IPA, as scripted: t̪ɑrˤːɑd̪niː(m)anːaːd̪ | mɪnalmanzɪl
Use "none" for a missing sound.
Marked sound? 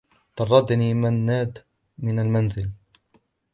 m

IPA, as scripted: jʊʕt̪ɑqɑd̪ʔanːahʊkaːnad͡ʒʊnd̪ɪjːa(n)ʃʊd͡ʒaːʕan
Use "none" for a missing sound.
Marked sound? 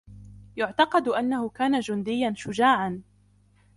n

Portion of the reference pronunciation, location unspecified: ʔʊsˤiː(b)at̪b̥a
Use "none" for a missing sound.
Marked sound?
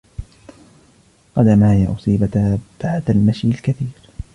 b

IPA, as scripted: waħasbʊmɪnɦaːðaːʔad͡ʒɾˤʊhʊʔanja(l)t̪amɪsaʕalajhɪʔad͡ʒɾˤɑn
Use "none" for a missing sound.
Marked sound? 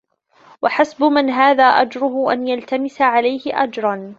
l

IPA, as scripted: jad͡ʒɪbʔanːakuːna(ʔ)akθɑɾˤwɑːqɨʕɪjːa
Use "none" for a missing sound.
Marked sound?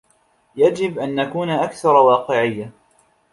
ʔ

